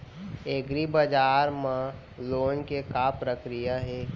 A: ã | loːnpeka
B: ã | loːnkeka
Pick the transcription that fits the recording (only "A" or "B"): B